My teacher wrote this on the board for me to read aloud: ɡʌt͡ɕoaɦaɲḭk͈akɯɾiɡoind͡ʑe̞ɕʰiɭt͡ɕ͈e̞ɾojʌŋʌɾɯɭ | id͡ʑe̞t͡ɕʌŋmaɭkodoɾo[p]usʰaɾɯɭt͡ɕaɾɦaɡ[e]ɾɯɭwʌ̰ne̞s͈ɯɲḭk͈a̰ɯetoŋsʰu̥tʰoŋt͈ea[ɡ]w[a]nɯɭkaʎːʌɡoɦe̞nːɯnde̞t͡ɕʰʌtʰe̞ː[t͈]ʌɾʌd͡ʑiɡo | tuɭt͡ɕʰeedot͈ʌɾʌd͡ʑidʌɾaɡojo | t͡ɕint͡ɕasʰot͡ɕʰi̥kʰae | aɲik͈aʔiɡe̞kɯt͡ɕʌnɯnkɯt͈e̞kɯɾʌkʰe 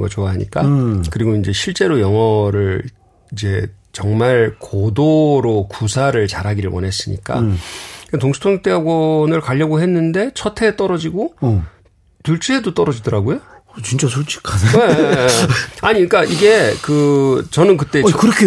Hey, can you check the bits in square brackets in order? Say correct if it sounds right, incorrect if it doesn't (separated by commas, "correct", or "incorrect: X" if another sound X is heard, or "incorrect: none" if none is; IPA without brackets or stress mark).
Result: incorrect: k, incorrect: i, correct, incorrect: ʌ, correct